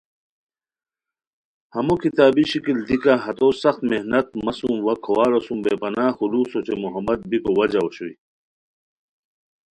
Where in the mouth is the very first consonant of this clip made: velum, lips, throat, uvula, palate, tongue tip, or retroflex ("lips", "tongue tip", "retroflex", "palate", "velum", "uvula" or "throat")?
throat